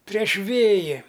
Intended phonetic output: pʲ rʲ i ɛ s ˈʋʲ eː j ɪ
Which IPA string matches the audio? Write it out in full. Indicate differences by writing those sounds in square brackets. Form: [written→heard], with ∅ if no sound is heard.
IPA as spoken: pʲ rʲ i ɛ [s→ʃ] ˈʋʲ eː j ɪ